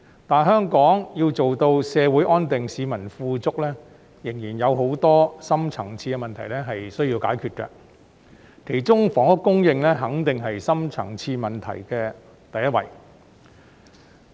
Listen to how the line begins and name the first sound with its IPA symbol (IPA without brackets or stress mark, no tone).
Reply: t̪